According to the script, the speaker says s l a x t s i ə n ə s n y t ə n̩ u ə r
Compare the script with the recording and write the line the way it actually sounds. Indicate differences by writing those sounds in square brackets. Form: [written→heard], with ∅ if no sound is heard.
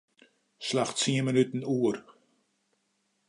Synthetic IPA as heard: s l a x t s i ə [n→m] ə [s→∅] n y t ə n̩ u ə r